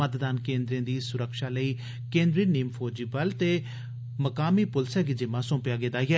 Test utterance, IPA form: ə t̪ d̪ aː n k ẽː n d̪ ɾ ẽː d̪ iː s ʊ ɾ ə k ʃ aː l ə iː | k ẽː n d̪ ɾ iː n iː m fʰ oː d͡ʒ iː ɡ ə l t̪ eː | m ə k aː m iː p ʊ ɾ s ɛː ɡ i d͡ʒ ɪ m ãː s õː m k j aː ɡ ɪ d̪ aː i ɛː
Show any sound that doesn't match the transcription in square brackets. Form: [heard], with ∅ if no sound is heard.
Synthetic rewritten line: ə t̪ d̪ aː n k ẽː n d̪ ɾ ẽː d̪ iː s ʊ ɾ ə k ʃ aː l ə iː | k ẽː n d̪ ɾ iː n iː m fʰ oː d͡ʒ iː [b] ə l t̪ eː | m ə k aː m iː p ʊ [l] s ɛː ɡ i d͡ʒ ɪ m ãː s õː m [p] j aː ɡ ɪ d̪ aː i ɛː